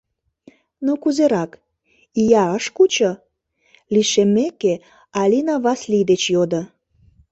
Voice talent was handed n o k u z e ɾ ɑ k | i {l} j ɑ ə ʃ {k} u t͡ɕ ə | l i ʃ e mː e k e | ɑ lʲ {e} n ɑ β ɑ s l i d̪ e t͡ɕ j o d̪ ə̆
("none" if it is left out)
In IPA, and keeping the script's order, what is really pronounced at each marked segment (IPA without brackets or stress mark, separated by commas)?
none, k, i